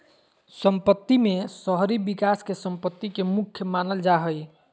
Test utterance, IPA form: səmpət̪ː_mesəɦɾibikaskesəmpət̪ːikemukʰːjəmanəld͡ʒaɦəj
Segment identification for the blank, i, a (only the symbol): i